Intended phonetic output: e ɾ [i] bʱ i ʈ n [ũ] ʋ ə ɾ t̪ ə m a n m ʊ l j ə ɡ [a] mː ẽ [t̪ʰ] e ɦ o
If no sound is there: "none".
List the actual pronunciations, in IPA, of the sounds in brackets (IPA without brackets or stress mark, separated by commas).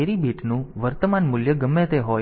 i, ũ, ə, t̪